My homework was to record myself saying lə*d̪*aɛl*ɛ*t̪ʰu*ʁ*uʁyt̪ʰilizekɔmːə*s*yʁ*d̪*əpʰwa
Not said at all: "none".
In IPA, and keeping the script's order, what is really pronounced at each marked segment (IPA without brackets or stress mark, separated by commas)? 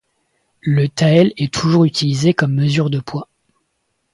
t̪, ɛ, ʒ, z, d̪